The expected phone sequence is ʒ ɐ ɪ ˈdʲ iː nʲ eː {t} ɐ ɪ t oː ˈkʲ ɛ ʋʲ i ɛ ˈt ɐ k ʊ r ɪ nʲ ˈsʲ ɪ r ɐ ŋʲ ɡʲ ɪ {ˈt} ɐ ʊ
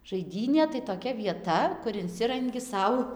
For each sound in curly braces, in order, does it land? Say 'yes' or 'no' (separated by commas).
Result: yes, no